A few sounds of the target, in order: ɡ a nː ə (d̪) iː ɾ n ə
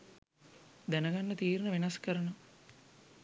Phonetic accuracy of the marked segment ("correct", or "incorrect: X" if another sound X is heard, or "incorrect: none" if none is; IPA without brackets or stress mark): incorrect: t̪